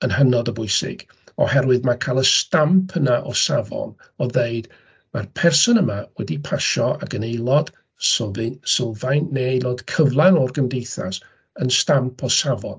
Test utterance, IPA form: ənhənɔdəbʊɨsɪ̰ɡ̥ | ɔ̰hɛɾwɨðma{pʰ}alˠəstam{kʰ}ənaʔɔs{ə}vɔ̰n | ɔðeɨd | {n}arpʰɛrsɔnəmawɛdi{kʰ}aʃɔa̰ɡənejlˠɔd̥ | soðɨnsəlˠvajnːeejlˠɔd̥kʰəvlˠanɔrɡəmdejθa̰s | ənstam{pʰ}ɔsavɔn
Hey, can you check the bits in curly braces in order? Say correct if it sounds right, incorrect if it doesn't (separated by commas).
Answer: incorrect, incorrect, incorrect, incorrect, incorrect, correct